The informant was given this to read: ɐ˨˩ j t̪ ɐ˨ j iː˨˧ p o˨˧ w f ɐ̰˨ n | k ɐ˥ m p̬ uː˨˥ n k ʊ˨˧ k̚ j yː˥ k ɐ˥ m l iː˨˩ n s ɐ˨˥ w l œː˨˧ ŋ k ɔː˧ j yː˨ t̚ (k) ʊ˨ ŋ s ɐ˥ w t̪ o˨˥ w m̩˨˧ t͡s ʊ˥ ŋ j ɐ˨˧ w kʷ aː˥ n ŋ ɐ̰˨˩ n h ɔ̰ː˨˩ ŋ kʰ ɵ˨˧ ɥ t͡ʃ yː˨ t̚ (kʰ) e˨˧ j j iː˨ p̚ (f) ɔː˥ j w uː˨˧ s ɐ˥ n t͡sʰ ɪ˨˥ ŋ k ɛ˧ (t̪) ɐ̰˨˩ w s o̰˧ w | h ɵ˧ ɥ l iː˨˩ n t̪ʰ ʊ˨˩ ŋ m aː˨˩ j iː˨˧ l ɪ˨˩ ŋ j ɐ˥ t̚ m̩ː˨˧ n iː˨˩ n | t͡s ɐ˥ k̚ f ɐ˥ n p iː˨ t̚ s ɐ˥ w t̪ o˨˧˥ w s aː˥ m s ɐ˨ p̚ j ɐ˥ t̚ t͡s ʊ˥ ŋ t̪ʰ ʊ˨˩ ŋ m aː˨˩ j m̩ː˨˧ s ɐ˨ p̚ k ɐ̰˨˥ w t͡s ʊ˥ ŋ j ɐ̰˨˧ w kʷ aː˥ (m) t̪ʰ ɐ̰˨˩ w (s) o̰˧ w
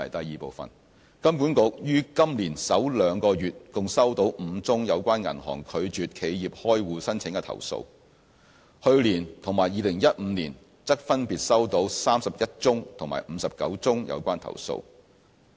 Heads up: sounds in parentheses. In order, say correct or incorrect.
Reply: correct, correct, incorrect: h, incorrect: t̪ʰ, incorrect: n, correct

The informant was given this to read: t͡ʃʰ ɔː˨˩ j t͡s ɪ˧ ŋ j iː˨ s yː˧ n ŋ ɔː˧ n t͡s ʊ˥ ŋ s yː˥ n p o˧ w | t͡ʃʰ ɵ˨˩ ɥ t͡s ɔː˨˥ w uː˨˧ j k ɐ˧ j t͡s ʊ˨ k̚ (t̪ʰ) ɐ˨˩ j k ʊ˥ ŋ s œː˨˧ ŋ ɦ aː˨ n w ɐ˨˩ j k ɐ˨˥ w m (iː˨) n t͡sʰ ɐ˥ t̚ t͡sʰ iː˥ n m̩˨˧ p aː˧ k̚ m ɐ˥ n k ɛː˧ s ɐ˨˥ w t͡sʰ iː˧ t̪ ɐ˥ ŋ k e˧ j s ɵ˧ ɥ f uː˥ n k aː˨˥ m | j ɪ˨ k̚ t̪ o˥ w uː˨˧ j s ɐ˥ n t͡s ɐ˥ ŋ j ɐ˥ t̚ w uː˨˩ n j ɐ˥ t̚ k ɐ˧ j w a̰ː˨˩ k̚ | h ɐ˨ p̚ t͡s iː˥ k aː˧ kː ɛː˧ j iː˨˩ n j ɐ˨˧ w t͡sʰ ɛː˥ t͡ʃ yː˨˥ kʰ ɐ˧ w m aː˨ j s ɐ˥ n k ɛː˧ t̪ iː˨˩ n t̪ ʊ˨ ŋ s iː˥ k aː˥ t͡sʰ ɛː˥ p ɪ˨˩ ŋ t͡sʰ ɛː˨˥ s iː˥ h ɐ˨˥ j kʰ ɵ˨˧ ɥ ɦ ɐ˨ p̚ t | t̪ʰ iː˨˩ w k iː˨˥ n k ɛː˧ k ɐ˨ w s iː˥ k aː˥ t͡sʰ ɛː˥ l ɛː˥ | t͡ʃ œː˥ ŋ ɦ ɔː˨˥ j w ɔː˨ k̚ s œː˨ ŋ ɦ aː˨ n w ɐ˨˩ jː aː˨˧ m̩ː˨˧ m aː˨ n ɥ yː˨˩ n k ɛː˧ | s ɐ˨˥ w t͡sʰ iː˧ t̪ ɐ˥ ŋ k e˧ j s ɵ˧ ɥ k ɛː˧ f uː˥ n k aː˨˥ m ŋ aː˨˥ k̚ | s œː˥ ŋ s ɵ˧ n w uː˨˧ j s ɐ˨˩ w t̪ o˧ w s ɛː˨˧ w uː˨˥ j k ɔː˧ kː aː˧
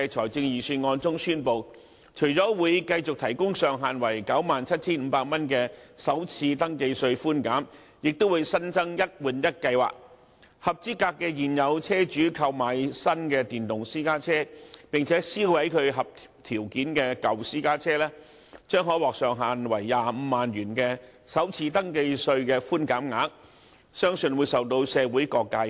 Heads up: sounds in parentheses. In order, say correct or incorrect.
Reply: correct, incorrect: aː˨

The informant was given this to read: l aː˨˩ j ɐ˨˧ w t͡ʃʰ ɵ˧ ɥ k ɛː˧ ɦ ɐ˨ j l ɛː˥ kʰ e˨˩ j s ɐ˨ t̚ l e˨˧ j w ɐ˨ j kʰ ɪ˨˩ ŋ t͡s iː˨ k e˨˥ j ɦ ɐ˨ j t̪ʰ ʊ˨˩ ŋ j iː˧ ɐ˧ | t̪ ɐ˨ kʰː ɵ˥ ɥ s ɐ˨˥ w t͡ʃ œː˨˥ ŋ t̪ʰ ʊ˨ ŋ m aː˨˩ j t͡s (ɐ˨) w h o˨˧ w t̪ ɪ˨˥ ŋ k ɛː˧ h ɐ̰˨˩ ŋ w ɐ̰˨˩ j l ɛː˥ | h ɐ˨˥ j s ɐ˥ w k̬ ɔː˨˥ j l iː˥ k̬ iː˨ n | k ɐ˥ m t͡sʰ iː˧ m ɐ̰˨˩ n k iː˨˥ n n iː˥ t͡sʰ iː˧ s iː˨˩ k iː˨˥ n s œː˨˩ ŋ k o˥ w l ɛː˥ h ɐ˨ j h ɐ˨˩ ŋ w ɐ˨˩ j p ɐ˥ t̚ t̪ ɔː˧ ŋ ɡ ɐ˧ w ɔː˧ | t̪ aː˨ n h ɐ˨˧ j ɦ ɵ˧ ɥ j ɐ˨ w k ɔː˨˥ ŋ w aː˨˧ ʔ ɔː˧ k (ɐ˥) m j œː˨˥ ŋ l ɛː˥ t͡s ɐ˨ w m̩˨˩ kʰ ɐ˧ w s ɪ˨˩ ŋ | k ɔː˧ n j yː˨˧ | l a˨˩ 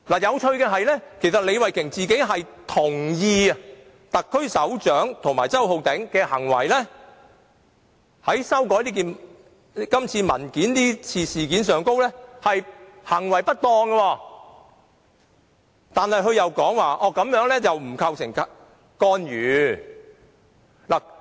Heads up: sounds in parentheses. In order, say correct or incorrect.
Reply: incorrect: ɐ˥, incorrect: ɐ˨˥

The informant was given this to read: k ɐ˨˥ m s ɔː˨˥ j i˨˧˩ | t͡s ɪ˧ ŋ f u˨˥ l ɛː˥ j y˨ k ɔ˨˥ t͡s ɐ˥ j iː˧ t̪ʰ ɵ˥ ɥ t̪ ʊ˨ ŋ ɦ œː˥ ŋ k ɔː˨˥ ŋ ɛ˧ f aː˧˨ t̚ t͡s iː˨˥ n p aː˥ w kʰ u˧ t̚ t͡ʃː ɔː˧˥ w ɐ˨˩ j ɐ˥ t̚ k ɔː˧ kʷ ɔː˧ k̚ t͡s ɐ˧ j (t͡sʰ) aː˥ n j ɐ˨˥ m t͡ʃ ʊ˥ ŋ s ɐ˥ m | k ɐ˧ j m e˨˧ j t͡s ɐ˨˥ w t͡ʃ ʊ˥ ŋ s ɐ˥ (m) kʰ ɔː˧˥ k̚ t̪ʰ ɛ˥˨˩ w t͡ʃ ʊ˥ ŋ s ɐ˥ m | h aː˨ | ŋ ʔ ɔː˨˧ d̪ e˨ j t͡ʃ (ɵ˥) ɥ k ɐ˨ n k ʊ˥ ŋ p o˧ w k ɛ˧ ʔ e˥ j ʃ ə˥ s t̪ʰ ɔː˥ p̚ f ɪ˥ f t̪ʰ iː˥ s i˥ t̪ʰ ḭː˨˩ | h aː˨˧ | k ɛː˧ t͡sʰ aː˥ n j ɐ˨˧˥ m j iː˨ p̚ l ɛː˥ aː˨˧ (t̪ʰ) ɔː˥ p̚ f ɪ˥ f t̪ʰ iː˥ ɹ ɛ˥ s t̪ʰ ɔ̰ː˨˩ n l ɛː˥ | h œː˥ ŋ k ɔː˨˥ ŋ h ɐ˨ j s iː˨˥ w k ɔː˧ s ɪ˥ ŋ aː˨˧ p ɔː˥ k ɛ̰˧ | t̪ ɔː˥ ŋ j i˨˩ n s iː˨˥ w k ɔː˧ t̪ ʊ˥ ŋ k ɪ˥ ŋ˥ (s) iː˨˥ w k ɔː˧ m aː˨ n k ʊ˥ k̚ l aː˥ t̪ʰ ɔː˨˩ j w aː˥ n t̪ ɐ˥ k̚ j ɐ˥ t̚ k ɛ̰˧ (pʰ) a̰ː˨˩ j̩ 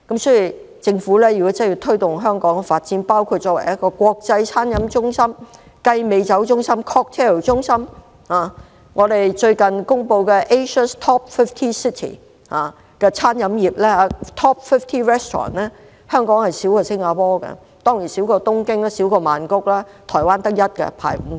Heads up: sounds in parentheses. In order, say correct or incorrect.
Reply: correct, correct, incorrect: ɵ˧, correct, correct, correct

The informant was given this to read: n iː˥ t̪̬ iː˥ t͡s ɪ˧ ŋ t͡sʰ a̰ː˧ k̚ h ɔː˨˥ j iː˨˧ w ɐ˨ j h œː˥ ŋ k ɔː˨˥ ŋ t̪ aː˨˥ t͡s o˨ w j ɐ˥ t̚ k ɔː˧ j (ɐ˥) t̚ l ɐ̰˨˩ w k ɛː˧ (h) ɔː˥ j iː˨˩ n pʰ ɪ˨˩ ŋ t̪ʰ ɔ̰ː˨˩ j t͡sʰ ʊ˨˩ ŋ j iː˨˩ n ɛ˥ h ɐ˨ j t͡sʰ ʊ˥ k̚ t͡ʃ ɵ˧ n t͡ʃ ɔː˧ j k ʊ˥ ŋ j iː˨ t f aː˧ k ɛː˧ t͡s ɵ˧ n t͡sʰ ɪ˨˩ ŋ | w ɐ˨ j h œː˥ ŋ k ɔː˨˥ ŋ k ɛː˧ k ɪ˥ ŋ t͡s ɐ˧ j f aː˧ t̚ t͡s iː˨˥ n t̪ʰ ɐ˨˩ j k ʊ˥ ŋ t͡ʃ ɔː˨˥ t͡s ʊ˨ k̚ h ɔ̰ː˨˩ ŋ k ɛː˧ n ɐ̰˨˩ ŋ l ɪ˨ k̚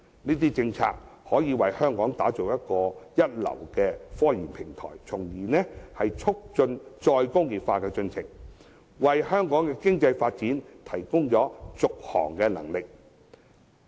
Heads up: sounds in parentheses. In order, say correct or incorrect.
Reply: correct, incorrect: f

